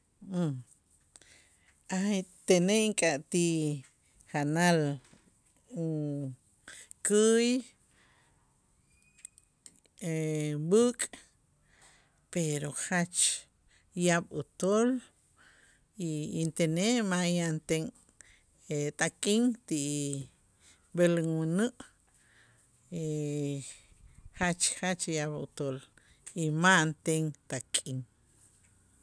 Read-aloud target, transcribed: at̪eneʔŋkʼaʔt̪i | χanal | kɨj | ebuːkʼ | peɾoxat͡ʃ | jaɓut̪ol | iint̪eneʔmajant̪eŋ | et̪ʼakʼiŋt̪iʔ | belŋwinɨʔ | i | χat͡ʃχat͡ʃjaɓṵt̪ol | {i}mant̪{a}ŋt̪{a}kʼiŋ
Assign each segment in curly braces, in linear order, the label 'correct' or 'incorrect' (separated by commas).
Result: correct, incorrect, correct